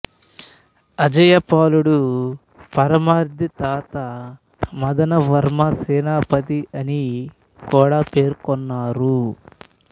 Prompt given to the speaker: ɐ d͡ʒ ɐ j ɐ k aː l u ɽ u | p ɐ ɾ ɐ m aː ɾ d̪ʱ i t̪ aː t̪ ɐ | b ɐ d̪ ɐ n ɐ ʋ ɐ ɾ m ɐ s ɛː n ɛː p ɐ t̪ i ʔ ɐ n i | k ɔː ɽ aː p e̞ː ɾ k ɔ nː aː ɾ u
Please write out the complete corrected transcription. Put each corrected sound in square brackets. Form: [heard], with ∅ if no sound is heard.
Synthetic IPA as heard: ɐ d͡ʒ ɐ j ɐ [p] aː l u ɽ u | p ɐ ɾ ɐ m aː ɾ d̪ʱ i t̪ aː t̪ ɐ | [m] ɐ d̪ ɐ n ɐ ʋ ɐ ɾ m ɐ s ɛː n [aː] p ɐ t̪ i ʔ ɐ n i | k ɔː ɽ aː p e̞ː ɾ k ɔ nː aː ɾ u